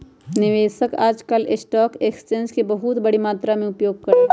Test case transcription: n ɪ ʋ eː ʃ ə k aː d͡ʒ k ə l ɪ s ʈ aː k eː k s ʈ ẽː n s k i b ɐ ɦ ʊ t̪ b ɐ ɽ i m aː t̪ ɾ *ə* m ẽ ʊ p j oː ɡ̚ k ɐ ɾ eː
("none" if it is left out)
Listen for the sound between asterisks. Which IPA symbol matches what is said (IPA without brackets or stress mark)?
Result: a